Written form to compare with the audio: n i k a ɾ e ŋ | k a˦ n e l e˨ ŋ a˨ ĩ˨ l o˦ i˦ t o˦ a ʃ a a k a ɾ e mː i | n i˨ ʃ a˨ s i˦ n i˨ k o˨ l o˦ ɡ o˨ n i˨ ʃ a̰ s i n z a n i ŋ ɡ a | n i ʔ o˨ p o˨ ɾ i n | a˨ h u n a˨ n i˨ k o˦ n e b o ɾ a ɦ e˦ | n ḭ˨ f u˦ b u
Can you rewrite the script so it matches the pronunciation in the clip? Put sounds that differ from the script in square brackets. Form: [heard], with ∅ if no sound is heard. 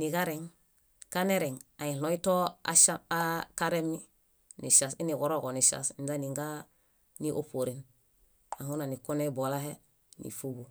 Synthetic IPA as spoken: n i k a ɾ e ŋ | k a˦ n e [ɾ] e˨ ŋ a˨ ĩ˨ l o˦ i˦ t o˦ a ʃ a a k a ɾ e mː i | n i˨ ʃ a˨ s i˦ n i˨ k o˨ [ɾ] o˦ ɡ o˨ n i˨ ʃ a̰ s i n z a n i ŋ ɡ a | n i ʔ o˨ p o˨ ɾ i n | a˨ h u n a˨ n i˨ k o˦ n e b o [l] a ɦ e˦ | n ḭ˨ f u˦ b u